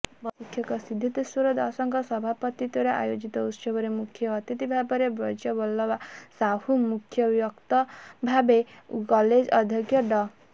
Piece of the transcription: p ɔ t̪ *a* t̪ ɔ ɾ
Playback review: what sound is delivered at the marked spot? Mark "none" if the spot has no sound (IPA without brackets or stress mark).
i